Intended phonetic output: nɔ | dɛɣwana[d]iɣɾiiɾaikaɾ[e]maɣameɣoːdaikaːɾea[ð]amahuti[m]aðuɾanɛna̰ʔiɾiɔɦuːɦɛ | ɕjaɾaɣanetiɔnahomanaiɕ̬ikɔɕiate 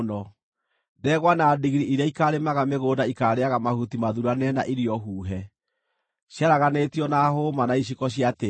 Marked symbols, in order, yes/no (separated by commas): yes, yes, no, yes